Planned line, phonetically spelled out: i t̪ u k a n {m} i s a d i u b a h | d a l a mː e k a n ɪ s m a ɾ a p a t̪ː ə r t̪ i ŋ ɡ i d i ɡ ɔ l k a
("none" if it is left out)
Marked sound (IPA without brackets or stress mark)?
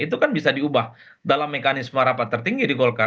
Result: b